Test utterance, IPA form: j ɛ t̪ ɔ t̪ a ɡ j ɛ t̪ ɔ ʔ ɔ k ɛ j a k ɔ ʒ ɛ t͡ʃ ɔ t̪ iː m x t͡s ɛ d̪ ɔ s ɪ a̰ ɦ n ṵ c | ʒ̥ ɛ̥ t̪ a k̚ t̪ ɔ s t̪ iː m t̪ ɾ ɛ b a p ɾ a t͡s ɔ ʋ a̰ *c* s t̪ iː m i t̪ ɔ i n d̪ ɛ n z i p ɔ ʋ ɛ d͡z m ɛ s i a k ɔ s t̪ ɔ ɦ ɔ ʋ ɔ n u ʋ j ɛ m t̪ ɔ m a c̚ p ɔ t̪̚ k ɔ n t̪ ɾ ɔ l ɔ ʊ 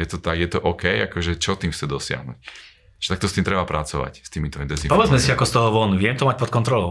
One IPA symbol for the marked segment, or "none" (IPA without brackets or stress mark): c